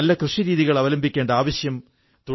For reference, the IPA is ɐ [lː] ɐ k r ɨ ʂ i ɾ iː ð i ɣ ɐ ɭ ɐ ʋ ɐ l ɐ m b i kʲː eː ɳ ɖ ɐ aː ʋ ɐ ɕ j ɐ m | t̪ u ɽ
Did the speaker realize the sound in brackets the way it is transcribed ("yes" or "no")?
yes